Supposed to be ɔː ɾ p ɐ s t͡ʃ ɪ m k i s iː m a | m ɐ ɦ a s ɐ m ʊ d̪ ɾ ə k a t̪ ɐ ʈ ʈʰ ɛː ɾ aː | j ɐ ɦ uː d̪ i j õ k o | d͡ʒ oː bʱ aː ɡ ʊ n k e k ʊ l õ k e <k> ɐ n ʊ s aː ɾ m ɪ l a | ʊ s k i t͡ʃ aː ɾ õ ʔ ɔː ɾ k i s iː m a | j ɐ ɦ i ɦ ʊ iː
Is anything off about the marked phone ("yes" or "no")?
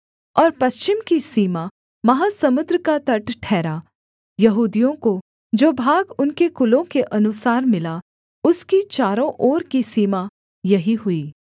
yes